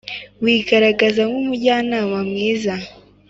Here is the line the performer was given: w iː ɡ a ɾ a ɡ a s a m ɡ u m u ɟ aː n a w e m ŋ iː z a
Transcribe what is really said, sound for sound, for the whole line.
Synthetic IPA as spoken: w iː ɡ a ɾ a ɡ a z a ŋ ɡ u m u ɟ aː n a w a m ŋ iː z a